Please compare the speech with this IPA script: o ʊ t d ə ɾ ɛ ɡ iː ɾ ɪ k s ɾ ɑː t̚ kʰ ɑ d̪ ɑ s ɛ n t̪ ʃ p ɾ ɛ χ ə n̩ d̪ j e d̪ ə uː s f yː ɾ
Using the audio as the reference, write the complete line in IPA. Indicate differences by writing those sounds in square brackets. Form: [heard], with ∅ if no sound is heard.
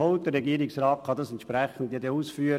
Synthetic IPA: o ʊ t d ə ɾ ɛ ɡ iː ɾ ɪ k s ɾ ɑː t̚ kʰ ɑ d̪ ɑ s ɛ n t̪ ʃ p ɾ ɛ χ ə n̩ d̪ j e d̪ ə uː s f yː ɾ